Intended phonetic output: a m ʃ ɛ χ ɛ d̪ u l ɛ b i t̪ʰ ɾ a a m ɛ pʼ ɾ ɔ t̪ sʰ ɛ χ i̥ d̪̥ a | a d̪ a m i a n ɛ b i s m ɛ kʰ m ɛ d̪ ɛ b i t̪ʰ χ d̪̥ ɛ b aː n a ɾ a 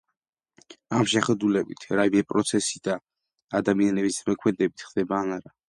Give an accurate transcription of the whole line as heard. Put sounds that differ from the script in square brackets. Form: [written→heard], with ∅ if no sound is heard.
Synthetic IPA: a m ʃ ɛ χ ɛ d̪ u l ɛ b i t̪ʰ ɾ a [a→i] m ɛ pʼ ɾ ɔ t̪ sʰ ɛ [χ→s] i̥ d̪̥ a | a d̪ a m i a n ɛ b i s m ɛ kʰ m ɛ d̪ ɛ b i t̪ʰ χ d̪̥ ɛ b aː n a ɾ a